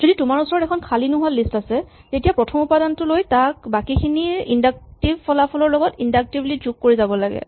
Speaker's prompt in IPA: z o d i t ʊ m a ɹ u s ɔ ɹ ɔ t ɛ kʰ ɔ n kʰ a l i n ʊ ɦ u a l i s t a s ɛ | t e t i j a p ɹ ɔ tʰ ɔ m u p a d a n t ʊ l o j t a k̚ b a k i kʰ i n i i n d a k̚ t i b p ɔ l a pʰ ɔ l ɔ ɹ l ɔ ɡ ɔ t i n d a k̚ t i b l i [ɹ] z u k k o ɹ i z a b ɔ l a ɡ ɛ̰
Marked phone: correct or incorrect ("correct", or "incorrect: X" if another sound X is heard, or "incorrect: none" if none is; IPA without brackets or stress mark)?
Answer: incorrect: none